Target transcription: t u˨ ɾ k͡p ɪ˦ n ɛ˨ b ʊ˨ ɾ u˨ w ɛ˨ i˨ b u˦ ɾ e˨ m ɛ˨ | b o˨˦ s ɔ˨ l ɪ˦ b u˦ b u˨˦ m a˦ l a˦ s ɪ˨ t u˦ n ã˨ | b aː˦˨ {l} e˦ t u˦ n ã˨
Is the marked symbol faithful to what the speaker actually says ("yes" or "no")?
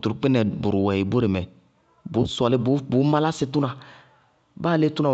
yes